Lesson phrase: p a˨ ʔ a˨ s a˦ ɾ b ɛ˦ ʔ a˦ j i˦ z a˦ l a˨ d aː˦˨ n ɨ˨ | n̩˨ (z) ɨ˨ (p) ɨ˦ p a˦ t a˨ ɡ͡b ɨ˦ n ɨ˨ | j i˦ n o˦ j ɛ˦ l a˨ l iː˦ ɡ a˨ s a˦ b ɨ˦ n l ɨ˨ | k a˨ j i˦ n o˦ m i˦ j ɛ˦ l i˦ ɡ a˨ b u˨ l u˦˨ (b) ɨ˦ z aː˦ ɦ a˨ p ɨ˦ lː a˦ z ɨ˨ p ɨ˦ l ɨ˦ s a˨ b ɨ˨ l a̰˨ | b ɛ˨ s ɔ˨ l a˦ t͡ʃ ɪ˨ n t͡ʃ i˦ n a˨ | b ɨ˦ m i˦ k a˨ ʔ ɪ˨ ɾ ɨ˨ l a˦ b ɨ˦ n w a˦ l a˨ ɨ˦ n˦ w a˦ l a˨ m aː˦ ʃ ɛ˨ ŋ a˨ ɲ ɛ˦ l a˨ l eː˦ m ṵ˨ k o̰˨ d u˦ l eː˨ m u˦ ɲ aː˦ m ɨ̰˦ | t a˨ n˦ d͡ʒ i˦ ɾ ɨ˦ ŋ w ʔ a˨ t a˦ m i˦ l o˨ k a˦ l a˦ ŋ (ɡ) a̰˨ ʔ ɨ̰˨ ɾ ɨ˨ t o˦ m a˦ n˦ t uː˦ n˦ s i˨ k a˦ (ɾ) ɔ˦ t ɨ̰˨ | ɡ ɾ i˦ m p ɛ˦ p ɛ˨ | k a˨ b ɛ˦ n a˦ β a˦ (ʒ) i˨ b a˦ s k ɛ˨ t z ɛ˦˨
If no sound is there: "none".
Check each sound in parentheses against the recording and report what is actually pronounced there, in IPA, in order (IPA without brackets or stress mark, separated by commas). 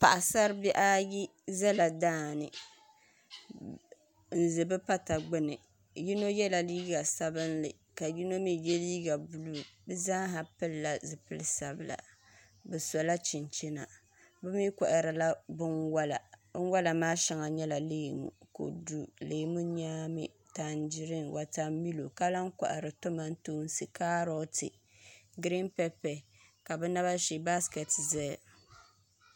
z, b, b, k, ɾ, ʃ